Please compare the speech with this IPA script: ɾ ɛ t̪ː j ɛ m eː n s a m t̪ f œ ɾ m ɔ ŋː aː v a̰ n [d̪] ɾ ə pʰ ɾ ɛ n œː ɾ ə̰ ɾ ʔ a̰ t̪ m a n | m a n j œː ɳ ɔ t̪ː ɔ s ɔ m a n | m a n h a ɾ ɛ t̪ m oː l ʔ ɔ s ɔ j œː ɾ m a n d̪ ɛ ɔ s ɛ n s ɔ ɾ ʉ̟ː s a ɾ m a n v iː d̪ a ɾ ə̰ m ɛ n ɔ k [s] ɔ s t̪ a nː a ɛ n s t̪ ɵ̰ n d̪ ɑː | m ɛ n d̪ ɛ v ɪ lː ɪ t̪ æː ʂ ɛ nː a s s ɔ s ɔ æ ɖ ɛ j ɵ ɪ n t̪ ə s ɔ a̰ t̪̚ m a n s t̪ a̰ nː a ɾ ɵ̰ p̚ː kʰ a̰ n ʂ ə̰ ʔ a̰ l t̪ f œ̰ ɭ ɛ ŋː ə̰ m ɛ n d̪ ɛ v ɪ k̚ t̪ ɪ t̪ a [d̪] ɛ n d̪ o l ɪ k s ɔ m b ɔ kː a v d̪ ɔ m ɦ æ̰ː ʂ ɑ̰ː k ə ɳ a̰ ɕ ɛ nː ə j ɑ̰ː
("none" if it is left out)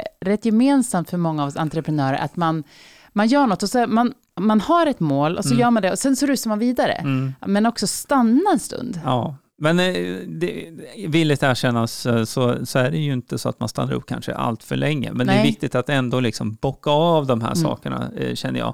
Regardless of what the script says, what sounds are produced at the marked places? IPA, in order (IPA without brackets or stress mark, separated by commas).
t̪, s, t̪